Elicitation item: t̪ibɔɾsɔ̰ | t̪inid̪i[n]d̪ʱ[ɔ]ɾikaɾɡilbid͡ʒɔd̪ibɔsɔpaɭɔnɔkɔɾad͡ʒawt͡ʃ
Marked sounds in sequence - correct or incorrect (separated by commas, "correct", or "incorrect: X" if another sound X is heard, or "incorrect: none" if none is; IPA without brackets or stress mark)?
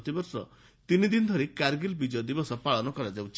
correct, correct